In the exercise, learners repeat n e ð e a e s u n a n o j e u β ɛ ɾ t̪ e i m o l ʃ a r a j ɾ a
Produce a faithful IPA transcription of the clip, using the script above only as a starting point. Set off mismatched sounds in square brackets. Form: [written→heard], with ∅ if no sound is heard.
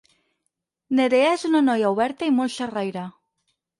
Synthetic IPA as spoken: n e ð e a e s u n a n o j [e→a] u β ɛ ɾ t̪ [e→a] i m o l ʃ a r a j ɾ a